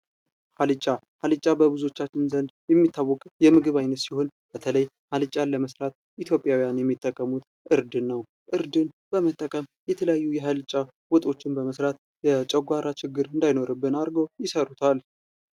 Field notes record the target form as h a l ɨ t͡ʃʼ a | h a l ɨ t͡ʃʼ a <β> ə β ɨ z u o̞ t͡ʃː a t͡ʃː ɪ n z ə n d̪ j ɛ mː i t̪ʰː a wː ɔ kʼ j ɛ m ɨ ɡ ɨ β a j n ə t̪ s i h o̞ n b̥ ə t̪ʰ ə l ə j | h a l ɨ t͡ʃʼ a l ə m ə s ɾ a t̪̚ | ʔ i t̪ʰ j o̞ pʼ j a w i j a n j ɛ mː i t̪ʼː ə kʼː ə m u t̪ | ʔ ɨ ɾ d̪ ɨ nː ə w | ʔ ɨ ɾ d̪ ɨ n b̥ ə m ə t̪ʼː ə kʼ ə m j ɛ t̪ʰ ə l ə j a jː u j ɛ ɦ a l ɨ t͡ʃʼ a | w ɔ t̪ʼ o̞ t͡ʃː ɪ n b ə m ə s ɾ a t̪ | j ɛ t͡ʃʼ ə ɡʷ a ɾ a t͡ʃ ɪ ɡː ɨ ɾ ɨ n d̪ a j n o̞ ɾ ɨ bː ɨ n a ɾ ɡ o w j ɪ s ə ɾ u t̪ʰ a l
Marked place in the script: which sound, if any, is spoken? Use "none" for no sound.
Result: b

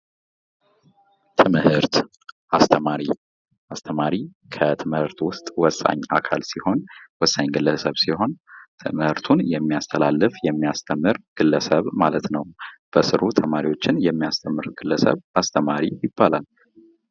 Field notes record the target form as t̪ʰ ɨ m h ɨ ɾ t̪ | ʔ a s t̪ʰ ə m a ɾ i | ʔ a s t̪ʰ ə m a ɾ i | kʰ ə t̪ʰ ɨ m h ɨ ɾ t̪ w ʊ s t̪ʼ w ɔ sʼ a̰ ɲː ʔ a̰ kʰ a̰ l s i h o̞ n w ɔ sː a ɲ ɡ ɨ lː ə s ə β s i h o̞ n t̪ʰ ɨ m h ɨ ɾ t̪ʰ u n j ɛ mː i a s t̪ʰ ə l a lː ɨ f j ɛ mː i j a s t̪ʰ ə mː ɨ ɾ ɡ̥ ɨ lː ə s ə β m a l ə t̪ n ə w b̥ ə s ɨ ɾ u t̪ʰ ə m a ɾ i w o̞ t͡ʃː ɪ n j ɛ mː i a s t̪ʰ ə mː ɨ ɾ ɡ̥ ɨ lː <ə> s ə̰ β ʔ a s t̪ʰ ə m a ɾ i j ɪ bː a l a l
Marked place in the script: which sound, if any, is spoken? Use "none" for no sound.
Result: ə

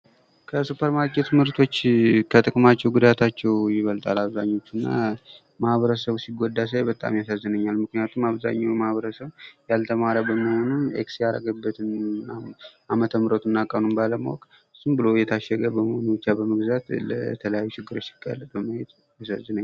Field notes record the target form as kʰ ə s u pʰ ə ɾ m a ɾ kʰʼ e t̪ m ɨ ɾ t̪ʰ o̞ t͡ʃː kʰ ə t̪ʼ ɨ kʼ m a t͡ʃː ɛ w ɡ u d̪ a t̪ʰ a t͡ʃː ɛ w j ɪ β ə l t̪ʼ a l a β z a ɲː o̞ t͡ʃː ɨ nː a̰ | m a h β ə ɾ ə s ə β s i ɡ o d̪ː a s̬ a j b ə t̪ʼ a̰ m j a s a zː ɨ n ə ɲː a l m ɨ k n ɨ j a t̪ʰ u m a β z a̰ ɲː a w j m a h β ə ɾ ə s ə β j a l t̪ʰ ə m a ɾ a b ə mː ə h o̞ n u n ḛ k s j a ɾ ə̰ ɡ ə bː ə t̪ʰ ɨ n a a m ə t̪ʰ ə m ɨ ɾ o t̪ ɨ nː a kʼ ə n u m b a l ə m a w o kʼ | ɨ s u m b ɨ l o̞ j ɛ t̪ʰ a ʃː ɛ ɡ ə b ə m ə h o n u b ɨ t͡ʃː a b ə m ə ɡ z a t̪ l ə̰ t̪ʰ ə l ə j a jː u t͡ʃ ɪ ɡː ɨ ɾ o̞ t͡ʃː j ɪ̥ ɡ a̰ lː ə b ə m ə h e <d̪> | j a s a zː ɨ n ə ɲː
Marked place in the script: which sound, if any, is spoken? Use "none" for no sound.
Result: t̪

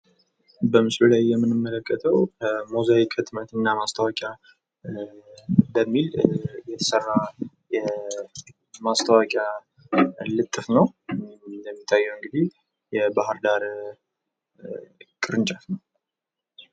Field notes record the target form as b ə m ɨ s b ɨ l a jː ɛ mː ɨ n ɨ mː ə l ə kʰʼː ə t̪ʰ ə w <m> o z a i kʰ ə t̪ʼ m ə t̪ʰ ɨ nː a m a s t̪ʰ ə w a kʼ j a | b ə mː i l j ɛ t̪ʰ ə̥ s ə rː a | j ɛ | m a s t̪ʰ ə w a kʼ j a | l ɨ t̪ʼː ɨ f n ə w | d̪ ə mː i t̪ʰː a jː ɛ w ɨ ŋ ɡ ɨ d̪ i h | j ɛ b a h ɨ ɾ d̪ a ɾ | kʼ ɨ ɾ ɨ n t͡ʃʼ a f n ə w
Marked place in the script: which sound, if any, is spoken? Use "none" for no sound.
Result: m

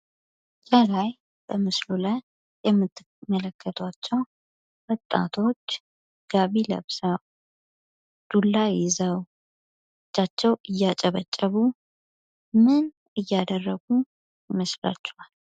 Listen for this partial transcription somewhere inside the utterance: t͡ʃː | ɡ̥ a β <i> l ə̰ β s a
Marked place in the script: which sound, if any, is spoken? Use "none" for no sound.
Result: i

